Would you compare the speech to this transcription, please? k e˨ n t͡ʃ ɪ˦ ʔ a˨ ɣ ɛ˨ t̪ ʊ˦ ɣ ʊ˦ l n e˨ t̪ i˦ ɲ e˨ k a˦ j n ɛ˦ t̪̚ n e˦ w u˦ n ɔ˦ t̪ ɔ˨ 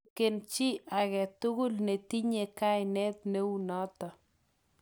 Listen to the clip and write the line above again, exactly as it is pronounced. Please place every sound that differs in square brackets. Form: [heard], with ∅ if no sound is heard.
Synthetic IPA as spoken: k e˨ n t͡ʃ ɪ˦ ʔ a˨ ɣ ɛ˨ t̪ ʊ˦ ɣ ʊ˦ l n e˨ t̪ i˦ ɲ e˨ k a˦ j n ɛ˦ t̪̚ n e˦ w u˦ n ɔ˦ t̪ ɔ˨